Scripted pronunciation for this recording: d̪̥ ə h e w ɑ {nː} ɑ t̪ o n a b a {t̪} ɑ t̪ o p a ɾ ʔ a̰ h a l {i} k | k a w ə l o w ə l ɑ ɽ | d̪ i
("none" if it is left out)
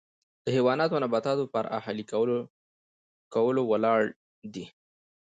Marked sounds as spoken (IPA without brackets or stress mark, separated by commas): n, t̪, i